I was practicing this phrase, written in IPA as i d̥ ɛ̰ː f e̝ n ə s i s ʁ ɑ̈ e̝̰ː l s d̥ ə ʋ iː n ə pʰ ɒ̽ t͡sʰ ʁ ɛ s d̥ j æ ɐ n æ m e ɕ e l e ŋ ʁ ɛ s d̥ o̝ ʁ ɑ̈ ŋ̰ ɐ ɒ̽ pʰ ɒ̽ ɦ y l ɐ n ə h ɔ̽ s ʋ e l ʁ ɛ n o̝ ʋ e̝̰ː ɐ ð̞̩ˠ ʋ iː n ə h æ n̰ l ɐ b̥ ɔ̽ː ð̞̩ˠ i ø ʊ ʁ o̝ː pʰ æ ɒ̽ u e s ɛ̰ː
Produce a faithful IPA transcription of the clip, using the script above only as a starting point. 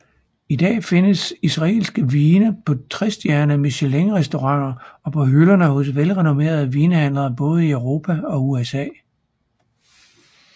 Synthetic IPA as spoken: i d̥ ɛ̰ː f e̝ n ə s i s ʁ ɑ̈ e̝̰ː l s ɡ̥ ə ʋ iː n ə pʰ ɒ̽ t͡sʰ ʁ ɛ s d̥ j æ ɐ n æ m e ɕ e l e ŋ ʁ ɛ s d̥ o̝ ʁ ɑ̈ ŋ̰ ɐ ɒ̽ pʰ ɒ̽ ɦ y l ɐ n ə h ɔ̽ s ʋ e l ʁ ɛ n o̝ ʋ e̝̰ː ɐ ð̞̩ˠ ʋ iː n ə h æ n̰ l ɐ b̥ ɔ̽ː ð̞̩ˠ i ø ʊ ʁ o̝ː pʰ æ ɒ̽ u e s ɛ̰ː